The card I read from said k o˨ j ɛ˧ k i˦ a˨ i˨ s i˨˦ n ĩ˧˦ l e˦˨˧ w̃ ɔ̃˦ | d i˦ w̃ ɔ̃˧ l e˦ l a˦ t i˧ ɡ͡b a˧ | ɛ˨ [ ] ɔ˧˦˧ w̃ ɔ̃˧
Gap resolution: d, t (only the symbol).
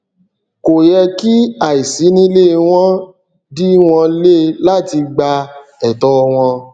t